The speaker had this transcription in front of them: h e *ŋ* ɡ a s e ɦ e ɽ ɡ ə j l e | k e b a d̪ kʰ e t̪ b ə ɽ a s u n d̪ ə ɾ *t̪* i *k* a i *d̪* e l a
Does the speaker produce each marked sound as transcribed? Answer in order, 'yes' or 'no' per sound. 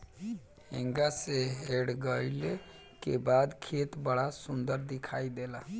yes, no, no, yes

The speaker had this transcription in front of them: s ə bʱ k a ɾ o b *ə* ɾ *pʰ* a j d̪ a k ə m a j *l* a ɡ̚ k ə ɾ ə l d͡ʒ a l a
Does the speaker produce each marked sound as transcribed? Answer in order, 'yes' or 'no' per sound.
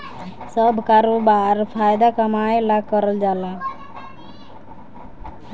no, yes, yes

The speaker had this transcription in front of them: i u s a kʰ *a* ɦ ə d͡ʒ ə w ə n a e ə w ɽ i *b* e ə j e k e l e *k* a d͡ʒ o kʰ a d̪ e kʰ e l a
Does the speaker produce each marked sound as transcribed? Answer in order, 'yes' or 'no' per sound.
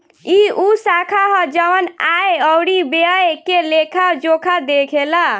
yes, yes, no

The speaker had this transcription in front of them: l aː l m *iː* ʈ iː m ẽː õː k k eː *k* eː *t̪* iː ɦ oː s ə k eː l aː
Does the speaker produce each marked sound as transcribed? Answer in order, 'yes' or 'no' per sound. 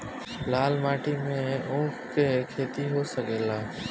no, no, yes

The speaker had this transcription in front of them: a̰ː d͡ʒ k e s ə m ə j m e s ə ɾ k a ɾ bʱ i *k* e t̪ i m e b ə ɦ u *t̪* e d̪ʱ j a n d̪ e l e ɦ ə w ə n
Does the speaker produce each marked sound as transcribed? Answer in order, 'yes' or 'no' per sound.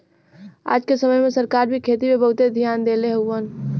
no, yes

